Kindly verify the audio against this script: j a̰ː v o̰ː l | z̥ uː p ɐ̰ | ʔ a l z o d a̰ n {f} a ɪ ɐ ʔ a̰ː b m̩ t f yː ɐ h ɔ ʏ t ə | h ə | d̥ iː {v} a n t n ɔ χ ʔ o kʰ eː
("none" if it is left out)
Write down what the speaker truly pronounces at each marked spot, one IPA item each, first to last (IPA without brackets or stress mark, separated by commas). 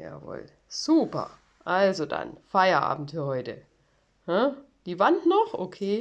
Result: f, v